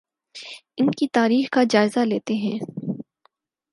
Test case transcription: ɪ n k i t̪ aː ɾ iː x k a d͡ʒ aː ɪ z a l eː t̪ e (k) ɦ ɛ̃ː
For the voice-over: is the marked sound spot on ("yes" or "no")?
no